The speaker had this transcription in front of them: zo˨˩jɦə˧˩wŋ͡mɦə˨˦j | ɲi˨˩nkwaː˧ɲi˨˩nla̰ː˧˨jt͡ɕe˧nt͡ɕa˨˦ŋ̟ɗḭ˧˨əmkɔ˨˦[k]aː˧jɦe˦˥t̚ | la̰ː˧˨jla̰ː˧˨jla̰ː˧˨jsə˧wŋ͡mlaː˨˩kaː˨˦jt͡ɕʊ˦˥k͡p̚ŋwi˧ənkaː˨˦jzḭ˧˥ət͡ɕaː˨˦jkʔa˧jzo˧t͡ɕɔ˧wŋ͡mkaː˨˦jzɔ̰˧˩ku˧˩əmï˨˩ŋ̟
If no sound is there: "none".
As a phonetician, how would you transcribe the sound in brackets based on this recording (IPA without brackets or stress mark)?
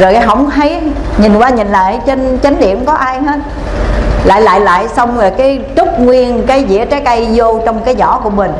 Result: ʔ